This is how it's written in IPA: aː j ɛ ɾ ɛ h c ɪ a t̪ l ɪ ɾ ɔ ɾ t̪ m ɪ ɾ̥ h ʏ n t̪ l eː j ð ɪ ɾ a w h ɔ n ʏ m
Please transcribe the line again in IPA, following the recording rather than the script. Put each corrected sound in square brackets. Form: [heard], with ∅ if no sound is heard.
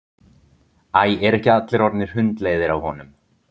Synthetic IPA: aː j ɛ ɾ ɛ h c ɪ a t̪ l ɪ ɾ ɔ ɾ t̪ [n] ɪ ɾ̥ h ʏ n t̪ l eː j ð ɪ ɾ a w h ɔ n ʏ m